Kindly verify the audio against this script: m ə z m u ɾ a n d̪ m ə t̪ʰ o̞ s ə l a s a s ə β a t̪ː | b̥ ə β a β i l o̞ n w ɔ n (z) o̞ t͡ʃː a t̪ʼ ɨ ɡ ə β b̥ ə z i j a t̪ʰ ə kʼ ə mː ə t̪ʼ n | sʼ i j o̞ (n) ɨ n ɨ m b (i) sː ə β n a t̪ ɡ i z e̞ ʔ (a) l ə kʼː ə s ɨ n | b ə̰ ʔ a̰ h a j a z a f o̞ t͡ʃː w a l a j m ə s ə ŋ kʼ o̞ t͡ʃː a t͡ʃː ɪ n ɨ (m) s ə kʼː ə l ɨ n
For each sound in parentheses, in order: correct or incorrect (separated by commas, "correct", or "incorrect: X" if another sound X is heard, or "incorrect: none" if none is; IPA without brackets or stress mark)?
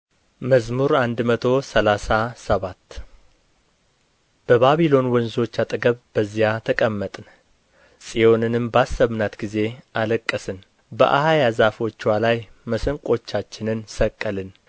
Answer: correct, correct, incorrect: a, correct, incorrect: n